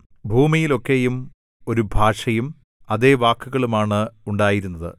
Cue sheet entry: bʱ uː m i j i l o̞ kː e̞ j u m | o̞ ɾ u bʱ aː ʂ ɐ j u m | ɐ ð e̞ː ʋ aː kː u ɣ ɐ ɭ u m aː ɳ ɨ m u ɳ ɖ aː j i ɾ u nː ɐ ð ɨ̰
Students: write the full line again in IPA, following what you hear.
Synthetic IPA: bʱ uː m i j i l o̞ kː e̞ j u m | o̞ ɾ u bʱ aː ʂ ɐ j u m | ɐ ð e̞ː ʋ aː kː u ɣ ɐ ɭ u m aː ɳ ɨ u ɳ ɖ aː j i ɾ u nː ɐ ð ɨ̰